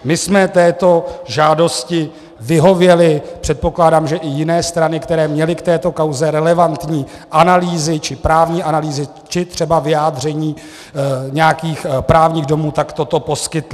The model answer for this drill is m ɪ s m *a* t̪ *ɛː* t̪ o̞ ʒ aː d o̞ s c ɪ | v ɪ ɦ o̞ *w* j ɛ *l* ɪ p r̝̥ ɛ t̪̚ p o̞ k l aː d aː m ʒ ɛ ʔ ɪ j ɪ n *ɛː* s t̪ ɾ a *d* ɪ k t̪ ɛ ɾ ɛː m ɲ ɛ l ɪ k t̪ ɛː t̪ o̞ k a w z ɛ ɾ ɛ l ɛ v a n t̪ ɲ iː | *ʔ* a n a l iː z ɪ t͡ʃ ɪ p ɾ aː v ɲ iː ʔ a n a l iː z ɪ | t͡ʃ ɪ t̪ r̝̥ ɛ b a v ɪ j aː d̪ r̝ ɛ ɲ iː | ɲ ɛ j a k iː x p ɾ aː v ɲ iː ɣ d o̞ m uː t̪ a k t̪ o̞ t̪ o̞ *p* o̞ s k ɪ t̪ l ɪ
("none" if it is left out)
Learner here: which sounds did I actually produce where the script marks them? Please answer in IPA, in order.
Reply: ɛ, ɛː, v, l, ɛː, n, ʔ, p

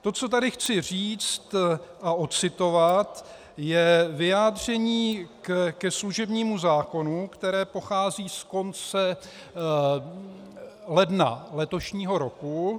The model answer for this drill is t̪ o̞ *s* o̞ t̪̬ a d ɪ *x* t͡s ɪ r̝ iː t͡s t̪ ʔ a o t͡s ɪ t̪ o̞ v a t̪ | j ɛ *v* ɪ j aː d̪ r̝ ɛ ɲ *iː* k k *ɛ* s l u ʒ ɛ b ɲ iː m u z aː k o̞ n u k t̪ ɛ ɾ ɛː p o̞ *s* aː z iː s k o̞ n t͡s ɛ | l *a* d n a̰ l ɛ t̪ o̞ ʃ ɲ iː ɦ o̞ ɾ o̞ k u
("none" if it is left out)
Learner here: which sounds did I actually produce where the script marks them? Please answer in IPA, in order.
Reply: t͡s, x, v, iː, ɛ, x, ɛ

